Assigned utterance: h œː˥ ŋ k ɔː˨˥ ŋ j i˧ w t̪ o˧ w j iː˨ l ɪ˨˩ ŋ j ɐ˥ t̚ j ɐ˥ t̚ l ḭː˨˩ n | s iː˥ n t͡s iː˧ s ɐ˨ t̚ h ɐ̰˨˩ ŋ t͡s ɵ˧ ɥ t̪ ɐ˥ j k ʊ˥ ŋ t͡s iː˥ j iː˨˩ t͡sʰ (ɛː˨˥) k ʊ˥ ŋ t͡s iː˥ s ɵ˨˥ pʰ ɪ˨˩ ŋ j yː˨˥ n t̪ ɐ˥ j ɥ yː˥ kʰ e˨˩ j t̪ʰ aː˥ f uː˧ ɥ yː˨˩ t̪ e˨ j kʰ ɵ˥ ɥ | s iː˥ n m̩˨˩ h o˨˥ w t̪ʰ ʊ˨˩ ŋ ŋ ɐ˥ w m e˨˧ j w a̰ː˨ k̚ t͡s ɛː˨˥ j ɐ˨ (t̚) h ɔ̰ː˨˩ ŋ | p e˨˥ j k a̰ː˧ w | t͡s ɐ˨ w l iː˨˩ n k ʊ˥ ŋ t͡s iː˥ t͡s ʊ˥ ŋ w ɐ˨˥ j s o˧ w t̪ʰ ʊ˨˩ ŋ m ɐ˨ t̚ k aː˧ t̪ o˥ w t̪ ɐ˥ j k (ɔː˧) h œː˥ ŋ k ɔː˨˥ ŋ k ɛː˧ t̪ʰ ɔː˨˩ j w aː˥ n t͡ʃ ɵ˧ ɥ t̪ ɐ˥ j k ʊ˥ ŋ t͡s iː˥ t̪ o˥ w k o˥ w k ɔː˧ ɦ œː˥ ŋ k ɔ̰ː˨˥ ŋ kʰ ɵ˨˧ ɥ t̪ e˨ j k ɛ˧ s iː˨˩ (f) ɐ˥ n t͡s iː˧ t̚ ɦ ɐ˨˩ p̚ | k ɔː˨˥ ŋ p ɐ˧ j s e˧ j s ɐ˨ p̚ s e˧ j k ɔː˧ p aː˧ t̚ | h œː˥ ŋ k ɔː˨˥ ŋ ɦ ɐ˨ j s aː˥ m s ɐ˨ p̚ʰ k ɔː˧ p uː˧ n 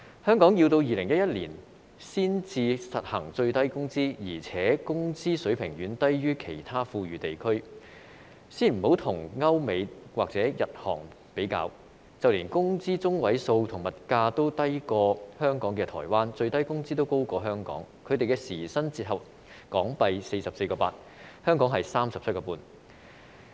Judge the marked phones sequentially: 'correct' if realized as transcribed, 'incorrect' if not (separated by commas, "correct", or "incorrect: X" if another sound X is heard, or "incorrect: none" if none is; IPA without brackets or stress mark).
correct, correct, correct, incorrect: s